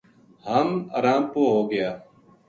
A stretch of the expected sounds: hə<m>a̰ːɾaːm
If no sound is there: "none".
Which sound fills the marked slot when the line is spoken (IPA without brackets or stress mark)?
m